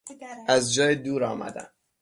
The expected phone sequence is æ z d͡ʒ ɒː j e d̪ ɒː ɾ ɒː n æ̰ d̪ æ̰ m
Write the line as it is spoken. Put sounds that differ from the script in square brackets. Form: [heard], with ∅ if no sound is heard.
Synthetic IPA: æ z d͡ʒ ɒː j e d̪ [uː] ɾ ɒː [m] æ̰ d̪ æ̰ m